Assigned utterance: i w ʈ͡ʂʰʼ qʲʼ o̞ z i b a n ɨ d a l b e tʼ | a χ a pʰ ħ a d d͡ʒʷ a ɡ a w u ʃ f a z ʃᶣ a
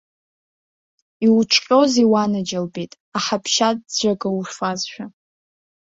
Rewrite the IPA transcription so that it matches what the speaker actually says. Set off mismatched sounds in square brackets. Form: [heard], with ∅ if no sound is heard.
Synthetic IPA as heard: i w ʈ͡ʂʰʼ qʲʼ o̞ z i [w] a n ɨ [d͡ʒ] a l b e tʼ | a [ħ] a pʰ [ʃ] a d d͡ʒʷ a ɡ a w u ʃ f a z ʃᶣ a